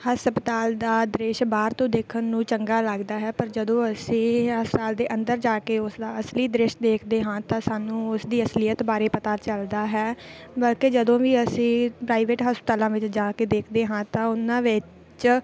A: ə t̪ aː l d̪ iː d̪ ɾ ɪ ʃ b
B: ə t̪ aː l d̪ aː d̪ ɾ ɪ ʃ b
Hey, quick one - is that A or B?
B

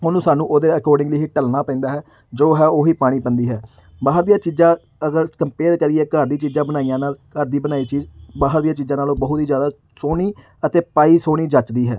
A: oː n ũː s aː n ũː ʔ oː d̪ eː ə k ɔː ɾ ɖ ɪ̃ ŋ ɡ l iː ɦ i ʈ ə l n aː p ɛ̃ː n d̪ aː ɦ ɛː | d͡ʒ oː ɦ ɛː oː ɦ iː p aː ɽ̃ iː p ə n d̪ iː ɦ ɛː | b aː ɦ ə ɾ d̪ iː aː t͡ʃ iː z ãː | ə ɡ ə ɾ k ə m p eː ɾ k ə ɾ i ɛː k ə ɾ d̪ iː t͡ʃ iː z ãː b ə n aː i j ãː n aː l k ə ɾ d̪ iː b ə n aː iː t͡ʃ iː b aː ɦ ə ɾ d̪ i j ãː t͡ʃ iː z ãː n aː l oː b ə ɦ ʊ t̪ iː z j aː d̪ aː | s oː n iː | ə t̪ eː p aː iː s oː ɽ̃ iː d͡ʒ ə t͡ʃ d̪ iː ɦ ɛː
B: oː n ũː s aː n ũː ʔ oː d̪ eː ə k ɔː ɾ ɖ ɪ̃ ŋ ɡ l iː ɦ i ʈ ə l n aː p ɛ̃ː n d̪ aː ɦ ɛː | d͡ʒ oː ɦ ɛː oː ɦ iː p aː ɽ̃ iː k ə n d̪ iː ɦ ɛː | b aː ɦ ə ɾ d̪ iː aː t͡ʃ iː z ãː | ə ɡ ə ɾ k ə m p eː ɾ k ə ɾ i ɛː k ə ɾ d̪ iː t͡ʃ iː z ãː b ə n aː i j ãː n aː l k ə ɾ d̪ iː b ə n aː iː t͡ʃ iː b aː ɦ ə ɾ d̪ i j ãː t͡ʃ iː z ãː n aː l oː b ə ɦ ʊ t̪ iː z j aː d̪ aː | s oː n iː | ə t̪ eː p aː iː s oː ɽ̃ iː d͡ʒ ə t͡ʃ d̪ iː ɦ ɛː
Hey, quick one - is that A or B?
A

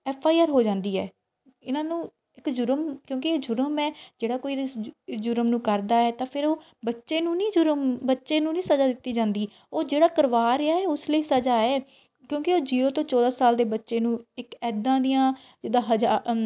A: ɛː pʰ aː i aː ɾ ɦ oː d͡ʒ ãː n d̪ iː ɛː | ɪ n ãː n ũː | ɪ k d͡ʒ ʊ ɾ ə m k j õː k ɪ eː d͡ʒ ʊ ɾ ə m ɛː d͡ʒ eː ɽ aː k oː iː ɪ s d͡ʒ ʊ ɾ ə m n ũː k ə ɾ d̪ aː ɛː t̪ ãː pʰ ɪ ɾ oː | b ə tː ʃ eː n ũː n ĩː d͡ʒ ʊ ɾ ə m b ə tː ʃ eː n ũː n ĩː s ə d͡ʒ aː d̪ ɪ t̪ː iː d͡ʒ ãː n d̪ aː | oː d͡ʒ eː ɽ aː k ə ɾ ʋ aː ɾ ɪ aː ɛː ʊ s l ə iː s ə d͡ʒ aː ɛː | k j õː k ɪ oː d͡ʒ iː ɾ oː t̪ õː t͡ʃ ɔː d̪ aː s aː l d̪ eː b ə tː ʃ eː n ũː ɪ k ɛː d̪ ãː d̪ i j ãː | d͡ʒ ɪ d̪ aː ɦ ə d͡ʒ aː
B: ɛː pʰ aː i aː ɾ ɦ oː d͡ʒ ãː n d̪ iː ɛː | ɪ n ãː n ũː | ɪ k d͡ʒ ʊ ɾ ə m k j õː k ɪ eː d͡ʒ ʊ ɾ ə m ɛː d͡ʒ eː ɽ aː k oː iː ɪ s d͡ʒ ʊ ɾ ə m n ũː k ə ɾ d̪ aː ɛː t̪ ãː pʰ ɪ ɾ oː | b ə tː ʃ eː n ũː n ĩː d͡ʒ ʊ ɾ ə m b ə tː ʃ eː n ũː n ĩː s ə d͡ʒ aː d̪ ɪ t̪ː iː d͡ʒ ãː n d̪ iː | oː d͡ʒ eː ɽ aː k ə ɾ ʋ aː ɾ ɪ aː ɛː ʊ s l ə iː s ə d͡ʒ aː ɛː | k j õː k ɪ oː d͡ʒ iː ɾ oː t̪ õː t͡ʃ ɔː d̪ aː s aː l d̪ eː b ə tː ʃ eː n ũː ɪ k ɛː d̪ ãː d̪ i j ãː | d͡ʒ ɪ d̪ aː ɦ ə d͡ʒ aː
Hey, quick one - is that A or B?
B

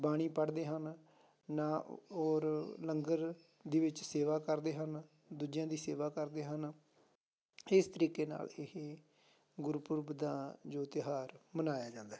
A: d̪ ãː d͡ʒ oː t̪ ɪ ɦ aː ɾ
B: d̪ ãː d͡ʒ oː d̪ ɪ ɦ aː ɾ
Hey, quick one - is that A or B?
A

